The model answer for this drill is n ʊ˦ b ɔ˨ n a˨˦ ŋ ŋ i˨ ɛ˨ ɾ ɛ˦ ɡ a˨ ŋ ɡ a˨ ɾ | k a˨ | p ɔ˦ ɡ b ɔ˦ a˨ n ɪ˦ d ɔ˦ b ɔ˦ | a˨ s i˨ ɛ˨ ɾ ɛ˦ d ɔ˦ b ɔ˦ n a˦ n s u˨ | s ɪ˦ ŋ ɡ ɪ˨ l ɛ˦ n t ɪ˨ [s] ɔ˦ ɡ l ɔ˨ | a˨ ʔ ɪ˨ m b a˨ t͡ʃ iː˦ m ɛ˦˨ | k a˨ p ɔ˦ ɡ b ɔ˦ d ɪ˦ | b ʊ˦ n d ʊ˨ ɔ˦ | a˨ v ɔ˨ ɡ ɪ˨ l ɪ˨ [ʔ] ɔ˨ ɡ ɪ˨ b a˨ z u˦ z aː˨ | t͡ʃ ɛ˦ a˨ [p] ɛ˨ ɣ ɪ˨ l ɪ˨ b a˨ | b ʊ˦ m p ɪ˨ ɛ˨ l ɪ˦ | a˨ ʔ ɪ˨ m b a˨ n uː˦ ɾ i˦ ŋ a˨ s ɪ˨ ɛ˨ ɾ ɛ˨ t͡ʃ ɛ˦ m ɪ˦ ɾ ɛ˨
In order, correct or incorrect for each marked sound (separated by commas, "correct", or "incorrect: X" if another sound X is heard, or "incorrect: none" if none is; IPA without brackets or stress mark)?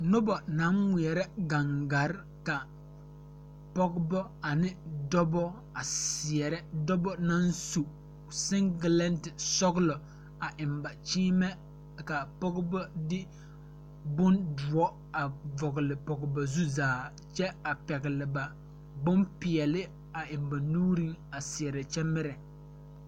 correct, incorrect: p, correct